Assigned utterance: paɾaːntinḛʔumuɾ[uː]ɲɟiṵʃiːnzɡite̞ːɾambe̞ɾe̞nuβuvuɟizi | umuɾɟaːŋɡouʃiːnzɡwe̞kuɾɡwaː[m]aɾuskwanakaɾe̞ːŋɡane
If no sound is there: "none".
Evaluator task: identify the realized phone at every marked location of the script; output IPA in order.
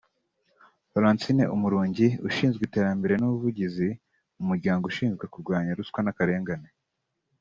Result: uː, ɲ

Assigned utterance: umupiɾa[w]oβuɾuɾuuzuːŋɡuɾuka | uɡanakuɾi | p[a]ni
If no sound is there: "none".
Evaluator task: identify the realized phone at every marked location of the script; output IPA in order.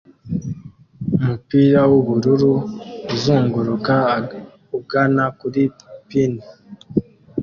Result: w, i

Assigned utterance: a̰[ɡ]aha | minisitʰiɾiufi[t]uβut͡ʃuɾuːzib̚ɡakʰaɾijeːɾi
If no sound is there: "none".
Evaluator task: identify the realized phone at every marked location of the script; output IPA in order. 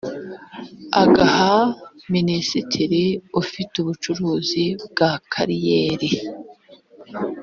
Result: ɡ, t

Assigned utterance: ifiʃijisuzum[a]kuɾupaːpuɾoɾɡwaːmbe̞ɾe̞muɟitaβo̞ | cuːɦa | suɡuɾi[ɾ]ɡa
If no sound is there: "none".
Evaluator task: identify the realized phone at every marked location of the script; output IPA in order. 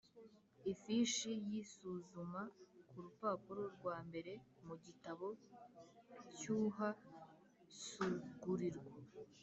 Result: a, ɾ

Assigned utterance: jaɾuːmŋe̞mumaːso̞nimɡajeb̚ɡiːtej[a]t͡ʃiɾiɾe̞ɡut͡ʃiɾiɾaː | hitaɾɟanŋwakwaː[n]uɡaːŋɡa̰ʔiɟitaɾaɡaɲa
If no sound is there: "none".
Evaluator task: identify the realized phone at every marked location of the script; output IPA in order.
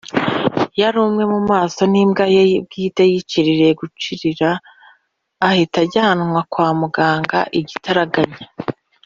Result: i, m

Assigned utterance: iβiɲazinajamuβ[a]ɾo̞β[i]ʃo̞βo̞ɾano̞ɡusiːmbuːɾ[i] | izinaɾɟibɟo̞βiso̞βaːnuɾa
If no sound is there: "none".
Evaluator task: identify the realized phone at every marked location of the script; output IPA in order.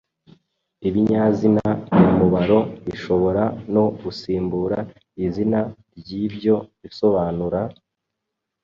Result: a, i, a

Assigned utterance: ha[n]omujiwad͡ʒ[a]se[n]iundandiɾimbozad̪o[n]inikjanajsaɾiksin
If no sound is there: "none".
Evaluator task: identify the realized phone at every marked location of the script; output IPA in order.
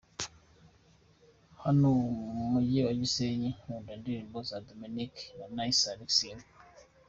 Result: n, i, ɲ, m

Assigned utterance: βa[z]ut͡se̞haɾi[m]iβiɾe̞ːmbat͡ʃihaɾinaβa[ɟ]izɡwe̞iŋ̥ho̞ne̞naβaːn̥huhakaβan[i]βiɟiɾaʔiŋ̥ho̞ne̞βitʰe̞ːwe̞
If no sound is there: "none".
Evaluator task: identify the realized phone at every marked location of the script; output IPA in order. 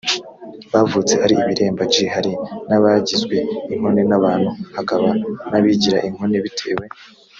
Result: v, none, ɟ, a

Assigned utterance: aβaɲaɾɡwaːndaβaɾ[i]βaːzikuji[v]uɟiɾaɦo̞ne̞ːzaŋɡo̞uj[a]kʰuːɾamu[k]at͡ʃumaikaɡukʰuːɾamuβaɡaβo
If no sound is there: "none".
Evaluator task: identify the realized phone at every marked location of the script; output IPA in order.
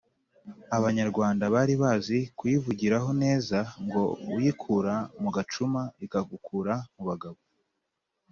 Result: i, v, i, ɡ

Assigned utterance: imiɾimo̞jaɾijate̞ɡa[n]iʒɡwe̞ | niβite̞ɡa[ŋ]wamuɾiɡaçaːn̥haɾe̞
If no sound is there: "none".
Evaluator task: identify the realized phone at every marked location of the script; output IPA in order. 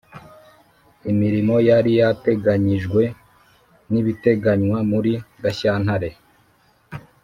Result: ɲ, ɲ

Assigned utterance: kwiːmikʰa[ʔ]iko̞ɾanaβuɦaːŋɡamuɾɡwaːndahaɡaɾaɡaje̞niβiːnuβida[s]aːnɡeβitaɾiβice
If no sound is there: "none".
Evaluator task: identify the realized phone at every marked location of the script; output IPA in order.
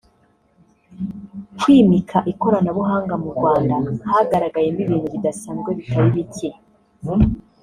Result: ʔ, s

